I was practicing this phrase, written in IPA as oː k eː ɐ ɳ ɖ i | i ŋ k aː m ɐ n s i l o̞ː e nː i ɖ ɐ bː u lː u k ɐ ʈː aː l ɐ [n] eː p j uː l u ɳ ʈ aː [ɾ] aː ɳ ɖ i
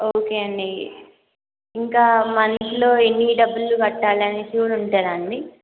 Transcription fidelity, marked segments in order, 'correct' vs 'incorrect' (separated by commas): correct, correct